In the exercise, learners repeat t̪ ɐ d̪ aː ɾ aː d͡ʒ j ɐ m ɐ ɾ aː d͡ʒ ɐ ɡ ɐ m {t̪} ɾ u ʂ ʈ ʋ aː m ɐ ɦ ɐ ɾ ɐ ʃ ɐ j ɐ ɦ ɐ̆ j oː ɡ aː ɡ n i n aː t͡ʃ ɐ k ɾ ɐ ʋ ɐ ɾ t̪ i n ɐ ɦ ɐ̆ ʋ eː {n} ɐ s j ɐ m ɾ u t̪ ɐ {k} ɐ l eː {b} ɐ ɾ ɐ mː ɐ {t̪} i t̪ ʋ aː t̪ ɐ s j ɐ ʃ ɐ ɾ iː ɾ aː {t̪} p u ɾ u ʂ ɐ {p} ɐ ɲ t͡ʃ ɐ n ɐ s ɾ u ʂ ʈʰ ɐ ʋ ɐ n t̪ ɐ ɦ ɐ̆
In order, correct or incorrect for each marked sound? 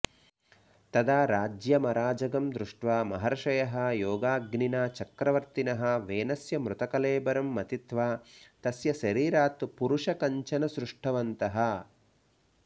incorrect: d̪, correct, correct, correct, correct, correct, incorrect: k

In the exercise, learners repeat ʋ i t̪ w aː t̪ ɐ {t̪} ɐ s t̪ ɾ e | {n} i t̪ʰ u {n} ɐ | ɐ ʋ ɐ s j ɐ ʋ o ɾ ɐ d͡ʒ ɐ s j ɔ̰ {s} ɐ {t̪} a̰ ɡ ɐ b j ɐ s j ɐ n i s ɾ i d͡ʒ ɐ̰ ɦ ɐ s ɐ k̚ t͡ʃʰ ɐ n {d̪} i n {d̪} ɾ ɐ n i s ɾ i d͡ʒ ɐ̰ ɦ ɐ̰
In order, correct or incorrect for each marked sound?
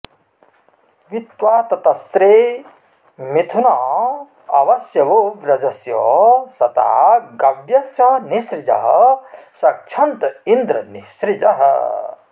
correct, incorrect: m, correct, correct, correct, incorrect: t̪, correct

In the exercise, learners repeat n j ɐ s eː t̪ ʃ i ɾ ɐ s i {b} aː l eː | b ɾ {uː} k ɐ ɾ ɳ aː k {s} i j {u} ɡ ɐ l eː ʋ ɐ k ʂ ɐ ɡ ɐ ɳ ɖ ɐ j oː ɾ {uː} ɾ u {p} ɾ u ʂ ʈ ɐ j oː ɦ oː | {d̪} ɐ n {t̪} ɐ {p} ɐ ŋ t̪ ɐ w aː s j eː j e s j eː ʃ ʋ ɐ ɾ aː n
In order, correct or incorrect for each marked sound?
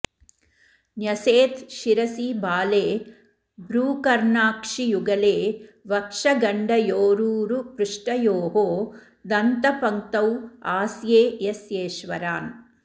correct, correct, incorrect: ʂ, correct, correct, correct, correct, correct, correct

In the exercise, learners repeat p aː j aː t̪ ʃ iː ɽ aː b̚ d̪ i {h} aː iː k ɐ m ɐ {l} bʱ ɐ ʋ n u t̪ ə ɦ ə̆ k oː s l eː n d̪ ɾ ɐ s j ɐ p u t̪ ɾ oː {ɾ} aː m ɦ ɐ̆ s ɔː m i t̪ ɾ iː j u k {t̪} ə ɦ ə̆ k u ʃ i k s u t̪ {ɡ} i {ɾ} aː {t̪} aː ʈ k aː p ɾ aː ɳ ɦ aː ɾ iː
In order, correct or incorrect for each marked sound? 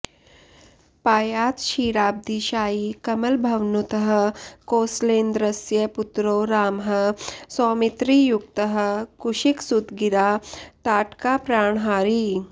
incorrect: ʃ, correct, correct, correct, correct, correct, correct

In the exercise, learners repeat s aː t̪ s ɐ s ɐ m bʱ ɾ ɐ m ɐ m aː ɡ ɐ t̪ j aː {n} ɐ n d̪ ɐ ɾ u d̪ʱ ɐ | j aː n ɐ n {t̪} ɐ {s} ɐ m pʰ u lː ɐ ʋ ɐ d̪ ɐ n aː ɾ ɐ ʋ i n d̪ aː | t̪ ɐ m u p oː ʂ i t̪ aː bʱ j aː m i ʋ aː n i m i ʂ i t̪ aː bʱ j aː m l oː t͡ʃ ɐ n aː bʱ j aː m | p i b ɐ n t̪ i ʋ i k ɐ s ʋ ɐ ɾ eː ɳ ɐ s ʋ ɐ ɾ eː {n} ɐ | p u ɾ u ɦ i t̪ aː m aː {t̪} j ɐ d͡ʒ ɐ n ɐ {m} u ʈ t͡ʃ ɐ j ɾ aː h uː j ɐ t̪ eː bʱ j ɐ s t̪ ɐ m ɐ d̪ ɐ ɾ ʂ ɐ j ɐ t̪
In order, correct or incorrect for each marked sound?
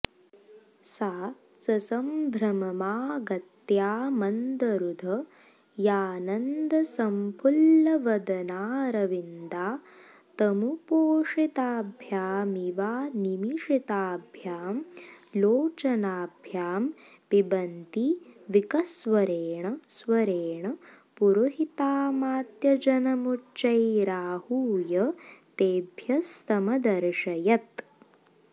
incorrect: m, incorrect: d̪, correct, incorrect: ɳ, correct, correct

